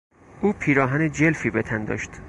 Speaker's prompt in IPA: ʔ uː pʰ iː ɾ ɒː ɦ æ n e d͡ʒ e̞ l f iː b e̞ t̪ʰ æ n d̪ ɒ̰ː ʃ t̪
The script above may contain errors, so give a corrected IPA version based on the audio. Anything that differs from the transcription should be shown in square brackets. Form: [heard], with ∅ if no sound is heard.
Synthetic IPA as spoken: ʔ uː pʰ iː ɾ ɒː ɦ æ n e d͡ʒ e̞ l f iː b e̞ t̪ʰ æ n d̪ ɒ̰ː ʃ t̪